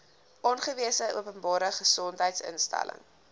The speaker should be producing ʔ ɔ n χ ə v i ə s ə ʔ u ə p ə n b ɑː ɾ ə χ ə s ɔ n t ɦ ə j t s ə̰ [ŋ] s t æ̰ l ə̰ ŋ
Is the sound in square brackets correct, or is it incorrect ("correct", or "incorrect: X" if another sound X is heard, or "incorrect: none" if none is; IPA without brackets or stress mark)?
incorrect: n